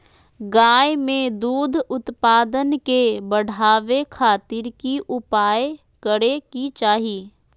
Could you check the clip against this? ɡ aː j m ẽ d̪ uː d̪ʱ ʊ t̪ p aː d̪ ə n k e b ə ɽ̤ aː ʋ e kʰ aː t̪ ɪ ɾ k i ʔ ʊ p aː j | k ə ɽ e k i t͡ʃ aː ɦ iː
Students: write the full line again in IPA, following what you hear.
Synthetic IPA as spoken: ɡ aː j m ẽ d̪ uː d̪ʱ ʊ t̪ p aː d̪ ə n k e b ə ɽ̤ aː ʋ e kʰ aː t̪ ɪ ɾ k i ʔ ʊ p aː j | k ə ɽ e k i t͡ʃ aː ɦ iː